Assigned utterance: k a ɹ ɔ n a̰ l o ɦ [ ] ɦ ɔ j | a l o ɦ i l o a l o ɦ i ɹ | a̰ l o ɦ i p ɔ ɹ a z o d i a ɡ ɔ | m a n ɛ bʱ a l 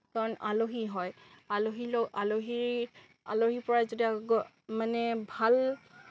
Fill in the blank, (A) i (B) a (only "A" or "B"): A